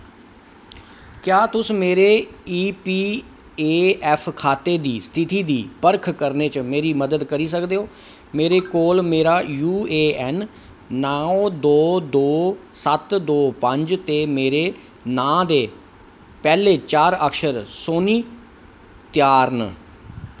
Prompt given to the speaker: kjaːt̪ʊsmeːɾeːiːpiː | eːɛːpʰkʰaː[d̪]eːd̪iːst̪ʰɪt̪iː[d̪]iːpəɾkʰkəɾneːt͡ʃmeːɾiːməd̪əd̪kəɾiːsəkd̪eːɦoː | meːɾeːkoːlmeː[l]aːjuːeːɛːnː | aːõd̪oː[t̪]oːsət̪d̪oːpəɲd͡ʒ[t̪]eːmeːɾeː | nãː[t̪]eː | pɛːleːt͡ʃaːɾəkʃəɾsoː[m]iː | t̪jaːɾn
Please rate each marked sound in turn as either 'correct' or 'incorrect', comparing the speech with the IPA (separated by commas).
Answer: incorrect, correct, incorrect, incorrect, correct, incorrect, incorrect